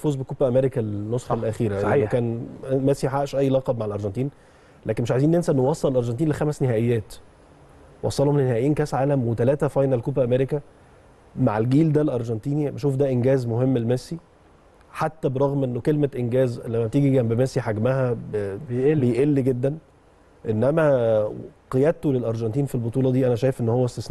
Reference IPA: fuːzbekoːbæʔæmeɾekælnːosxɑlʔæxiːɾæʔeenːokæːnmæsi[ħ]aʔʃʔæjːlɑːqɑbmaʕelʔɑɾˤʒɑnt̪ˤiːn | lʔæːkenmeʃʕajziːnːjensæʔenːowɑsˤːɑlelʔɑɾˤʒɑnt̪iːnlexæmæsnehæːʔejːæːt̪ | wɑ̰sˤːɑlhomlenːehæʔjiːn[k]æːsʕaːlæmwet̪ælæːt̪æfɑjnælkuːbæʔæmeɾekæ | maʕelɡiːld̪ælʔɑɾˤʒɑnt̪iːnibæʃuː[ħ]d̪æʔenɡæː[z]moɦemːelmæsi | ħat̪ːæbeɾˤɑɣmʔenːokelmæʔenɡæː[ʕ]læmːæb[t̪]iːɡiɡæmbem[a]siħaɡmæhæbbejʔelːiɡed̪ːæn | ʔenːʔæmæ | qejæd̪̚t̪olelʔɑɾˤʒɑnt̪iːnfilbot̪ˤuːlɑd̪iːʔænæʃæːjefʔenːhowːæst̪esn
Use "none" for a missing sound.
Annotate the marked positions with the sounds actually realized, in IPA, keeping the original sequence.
ħ, k, f, z, z, t̪, æ

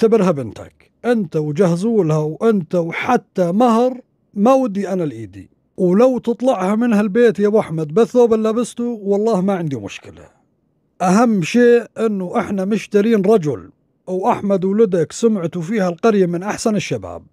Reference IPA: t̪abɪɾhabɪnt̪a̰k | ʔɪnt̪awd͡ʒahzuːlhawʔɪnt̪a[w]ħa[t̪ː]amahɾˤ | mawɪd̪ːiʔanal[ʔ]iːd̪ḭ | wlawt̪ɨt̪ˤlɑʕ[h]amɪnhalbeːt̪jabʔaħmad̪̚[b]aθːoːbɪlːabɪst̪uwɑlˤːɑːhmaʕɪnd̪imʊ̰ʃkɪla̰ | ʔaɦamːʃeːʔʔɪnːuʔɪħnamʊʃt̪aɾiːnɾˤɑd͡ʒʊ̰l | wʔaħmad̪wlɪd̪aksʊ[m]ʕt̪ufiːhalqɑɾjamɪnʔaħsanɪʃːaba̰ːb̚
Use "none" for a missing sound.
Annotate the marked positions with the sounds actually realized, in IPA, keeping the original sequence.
w, t̪ː, ʔ, h, b, m

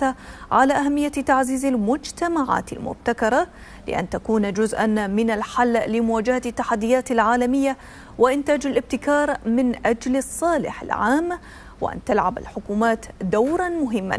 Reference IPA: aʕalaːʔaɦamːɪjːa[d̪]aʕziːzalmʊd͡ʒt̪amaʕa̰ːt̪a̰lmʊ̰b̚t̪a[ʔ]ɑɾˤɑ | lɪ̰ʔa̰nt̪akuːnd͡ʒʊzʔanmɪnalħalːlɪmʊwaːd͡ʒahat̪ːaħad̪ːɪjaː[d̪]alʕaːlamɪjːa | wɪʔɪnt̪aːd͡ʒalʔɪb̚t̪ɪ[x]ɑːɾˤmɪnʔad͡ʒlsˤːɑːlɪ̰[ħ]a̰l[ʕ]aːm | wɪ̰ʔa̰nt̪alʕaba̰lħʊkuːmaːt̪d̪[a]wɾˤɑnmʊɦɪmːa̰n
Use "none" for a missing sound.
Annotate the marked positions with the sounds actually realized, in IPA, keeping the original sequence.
t̪, k, t̪, k, ħ, ʕ, a

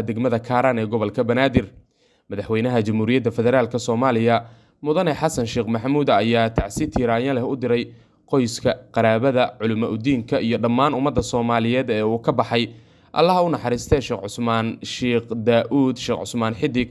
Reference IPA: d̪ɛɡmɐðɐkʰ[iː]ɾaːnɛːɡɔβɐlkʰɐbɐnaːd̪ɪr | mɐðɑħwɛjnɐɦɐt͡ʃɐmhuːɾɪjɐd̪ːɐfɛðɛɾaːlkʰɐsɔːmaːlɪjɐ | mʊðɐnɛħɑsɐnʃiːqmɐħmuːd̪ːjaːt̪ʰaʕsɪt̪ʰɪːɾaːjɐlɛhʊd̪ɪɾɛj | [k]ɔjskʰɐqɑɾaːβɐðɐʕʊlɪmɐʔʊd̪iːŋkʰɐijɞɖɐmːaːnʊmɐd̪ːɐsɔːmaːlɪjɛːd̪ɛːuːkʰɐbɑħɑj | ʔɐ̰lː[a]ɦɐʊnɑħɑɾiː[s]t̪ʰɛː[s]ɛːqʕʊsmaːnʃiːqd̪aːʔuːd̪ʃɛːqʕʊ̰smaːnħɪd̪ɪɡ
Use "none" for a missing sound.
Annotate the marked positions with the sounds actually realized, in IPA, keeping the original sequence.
aː, q, ɐ, s, ʃ

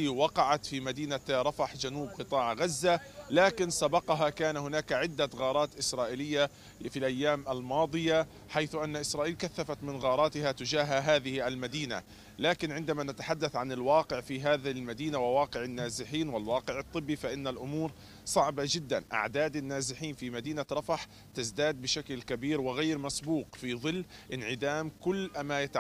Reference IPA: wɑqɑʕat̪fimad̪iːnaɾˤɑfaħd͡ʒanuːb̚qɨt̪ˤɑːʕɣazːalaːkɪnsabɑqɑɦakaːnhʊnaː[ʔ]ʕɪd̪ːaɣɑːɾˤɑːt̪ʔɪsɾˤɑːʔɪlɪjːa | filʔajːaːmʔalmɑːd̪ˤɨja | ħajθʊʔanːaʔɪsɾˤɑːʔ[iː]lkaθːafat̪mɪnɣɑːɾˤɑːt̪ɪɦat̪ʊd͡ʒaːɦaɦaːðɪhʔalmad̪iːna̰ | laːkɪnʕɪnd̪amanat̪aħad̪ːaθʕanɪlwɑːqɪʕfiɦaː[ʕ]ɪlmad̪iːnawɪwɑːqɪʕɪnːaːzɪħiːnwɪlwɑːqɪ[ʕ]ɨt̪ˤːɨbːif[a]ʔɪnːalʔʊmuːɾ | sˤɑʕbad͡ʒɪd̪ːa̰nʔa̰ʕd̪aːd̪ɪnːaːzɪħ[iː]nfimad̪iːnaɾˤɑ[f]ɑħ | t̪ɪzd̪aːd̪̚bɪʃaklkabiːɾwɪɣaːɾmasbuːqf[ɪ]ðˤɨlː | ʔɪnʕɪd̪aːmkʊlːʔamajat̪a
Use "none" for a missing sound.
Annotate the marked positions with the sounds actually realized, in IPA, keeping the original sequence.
k, iː, ð, ʕ, a, iː, f, i

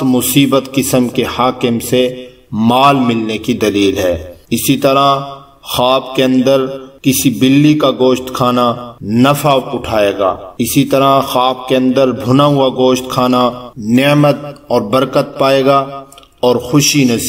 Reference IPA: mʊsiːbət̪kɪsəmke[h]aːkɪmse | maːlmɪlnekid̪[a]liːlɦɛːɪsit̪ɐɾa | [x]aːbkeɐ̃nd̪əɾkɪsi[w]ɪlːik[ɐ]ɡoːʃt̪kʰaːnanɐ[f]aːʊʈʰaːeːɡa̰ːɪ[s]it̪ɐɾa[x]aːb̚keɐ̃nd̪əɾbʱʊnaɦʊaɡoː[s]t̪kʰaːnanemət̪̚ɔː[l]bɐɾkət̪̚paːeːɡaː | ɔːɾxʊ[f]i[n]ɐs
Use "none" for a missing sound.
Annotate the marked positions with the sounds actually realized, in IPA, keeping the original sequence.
h, ɐ, x, b, a, f, s, x, ʃ, ɾ, ʃ, n

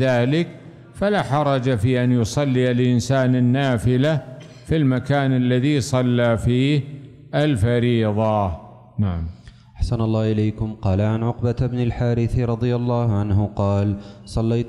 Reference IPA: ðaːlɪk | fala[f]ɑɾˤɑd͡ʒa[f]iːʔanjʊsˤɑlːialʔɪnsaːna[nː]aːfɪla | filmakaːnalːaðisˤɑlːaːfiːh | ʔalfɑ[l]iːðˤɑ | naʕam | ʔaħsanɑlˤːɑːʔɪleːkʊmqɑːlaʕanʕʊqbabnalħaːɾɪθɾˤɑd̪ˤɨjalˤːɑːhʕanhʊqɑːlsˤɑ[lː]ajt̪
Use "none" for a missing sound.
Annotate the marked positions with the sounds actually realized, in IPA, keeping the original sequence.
ħ, f, nː, ɾ, lː

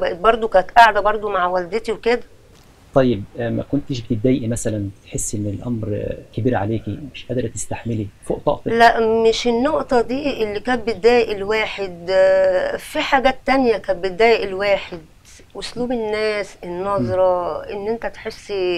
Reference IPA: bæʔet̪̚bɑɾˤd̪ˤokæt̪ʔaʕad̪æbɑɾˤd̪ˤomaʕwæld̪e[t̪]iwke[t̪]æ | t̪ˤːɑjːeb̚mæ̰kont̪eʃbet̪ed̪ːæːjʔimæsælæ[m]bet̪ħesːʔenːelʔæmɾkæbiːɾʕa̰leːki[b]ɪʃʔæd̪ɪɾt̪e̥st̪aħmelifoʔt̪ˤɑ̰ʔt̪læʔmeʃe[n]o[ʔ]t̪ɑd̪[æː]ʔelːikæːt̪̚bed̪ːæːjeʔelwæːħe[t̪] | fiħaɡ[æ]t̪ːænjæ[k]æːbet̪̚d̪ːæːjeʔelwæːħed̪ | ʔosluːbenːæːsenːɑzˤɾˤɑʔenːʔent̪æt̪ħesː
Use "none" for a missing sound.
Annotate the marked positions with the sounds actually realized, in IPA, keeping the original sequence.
t̪, d̪, n, m, nː, ʔ, iː, d̪, æː, k

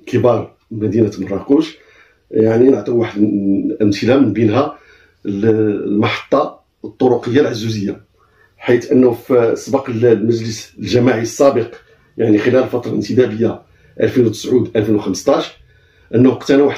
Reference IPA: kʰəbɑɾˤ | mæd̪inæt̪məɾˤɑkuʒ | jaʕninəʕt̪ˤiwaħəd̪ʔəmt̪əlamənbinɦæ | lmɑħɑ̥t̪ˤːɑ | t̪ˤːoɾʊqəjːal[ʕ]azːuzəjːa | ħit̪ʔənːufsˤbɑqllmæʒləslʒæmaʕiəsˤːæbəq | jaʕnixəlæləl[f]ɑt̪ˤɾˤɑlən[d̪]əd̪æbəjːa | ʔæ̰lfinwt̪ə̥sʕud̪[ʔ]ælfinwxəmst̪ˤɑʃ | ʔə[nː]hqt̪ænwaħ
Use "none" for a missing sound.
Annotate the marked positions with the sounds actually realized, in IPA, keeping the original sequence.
ʕ, f, t̪, ʔ, nː

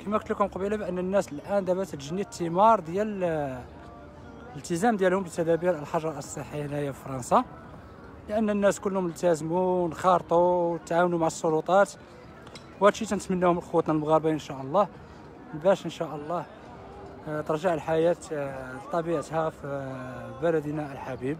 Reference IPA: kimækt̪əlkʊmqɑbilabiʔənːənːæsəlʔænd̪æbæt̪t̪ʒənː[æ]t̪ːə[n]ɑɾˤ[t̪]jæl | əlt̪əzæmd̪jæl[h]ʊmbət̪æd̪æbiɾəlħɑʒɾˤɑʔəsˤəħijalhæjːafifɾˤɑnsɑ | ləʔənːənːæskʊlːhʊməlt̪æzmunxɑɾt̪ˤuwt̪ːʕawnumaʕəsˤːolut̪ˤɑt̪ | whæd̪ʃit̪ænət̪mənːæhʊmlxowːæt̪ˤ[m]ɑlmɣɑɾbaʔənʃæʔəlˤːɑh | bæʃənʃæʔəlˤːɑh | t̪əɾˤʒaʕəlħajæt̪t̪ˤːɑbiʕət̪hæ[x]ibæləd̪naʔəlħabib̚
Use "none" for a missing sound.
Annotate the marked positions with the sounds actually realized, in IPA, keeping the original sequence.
i, m, d̪, h, n, f

